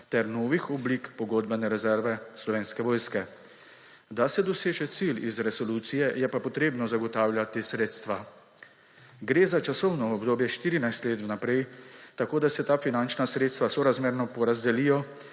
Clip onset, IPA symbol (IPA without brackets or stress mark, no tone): t̪